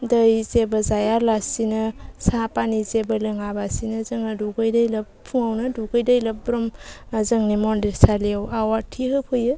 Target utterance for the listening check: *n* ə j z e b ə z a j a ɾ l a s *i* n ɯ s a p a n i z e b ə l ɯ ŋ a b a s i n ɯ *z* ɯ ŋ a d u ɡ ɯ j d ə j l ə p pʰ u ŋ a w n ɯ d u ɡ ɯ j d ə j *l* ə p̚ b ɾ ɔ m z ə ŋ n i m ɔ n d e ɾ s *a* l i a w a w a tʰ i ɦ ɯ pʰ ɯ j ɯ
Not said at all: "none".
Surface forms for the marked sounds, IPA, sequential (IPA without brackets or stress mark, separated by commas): d, i, z, l, a